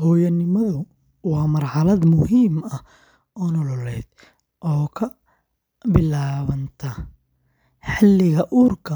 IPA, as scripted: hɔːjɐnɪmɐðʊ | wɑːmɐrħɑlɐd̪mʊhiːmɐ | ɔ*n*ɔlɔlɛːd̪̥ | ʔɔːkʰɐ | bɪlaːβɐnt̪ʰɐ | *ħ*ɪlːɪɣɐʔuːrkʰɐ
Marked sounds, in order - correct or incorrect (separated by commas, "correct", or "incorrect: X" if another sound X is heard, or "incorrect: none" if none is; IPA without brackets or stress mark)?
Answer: correct, correct